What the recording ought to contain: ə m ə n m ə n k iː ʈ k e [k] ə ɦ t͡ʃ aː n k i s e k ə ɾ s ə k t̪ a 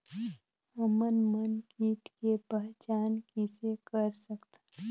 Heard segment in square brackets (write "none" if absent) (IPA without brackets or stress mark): p